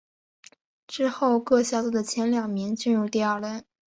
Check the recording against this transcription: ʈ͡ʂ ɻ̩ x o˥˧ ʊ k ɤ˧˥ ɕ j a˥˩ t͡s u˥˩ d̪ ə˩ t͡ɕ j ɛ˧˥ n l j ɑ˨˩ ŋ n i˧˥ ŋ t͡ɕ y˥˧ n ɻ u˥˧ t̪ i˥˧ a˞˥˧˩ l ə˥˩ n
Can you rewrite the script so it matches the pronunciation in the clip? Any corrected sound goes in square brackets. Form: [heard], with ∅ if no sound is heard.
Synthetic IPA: ʈ͡ʂ ɻ̩ x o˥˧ ʊ k [ɤ˥˧] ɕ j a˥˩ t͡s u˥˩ d̪ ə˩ [t͡ɕʰ] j ɛ˧˥ n l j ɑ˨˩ ŋ [m] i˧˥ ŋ t͡ɕ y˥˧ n ɻ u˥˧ t̪ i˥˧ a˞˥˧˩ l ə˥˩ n